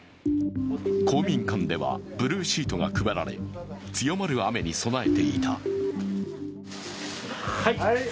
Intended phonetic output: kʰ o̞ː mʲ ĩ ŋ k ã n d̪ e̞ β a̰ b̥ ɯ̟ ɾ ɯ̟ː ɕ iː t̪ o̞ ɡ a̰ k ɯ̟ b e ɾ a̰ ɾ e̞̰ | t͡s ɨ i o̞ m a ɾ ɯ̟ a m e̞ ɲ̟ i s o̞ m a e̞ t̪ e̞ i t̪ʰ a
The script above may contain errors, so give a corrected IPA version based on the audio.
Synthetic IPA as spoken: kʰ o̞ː mʲ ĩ ŋ k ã n d̪ e̞ β a̰ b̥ ɯ̟ ɾ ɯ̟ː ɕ iː t̪ o̞ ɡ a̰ k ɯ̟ b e ɾ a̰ ɾ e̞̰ | t͡s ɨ j o̞ m a ɾ ɯ̟ a m e̞ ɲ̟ i s o̞ n a e̞ t̪ e̞ i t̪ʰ a